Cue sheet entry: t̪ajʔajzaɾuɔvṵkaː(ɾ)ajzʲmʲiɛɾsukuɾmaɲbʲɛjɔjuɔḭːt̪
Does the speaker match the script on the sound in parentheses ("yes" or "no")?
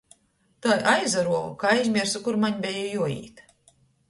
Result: no